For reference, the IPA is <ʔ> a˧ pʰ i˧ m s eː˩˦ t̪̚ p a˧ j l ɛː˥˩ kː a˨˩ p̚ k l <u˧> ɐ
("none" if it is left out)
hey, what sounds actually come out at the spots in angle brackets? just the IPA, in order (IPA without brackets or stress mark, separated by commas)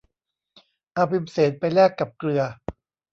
ʔ, ɯ˧